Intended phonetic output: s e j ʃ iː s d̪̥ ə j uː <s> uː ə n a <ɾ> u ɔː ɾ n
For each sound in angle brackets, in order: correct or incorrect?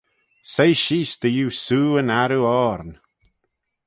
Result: correct, correct

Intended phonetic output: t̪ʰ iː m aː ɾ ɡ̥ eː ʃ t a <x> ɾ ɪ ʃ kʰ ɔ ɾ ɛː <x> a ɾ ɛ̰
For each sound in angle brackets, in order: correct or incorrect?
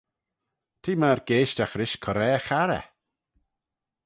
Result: correct, correct

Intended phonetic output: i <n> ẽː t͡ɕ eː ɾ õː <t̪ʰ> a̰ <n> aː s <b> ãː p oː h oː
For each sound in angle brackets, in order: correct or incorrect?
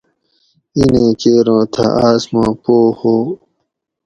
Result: correct, correct, incorrect, incorrect

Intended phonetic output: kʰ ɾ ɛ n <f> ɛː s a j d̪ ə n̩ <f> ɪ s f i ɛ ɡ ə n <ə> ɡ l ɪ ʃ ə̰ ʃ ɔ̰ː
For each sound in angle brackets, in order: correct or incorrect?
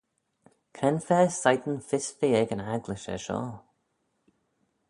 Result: correct, correct, incorrect

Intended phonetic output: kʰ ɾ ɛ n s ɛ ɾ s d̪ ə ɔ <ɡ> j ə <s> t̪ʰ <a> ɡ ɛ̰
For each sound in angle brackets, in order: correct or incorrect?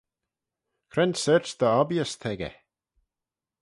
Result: incorrect, correct, incorrect

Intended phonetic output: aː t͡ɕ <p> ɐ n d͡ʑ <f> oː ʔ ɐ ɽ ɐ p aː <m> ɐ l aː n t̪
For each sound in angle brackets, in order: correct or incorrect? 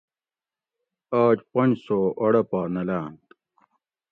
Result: correct, incorrect, incorrect

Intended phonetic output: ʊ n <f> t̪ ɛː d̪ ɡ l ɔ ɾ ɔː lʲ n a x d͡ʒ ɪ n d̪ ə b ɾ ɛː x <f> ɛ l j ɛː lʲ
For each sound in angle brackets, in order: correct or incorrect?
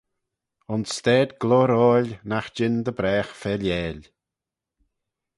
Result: incorrect, correct

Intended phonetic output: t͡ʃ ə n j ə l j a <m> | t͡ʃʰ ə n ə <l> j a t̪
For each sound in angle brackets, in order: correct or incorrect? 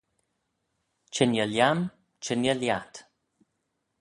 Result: correct, correct

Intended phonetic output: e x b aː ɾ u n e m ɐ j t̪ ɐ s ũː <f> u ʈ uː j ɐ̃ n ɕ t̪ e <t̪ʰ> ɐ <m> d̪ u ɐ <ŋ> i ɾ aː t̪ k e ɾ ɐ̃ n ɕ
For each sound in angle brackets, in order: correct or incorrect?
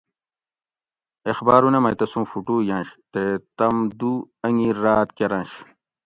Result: correct, incorrect, correct, correct

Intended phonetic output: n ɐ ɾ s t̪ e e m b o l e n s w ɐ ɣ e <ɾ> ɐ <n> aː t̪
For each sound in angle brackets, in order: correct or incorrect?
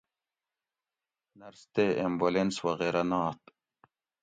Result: correct, correct

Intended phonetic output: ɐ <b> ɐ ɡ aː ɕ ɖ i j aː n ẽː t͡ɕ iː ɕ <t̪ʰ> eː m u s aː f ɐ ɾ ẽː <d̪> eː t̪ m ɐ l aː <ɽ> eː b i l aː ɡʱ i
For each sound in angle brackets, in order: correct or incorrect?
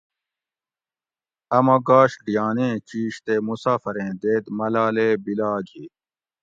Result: incorrect, incorrect, correct, incorrect

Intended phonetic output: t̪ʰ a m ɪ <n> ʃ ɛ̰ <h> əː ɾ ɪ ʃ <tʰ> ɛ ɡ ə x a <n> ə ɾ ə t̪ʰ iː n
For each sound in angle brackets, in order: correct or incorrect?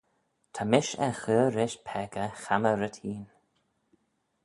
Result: incorrect, incorrect, incorrect, incorrect

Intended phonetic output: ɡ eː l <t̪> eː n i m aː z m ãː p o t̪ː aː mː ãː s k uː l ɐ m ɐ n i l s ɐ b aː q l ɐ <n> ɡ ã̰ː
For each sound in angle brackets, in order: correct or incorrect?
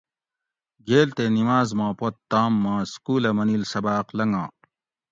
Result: correct, incorrect

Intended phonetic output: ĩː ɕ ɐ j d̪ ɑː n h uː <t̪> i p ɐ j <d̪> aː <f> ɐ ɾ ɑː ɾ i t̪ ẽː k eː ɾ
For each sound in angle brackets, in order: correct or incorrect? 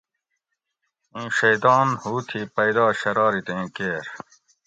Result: incorrect, correct, incorrect

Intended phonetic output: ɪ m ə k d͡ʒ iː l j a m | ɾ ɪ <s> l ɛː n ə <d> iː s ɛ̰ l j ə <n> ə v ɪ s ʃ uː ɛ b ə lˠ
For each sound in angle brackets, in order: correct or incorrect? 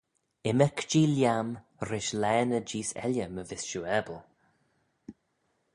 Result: incorrect, incorrect, incorrect

